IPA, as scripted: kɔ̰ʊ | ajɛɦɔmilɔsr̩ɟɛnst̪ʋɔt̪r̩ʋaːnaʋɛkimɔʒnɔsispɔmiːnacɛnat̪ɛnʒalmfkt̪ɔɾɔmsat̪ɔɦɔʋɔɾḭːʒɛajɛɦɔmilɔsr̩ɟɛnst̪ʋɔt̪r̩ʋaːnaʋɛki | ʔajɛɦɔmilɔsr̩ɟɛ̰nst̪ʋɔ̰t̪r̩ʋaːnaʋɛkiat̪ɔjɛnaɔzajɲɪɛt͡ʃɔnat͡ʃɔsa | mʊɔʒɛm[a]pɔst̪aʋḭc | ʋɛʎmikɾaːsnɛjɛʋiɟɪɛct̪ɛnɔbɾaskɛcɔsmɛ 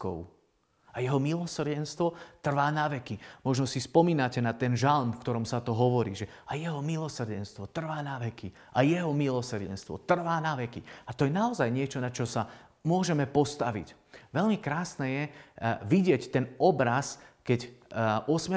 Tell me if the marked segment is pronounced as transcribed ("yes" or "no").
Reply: no